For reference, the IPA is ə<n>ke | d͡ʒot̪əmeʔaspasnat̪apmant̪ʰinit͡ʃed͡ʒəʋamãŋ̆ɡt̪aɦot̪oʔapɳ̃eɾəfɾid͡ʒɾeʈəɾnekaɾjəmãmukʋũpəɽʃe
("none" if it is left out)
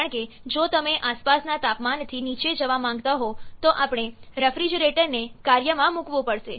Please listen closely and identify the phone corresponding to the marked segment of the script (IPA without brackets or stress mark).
ɳ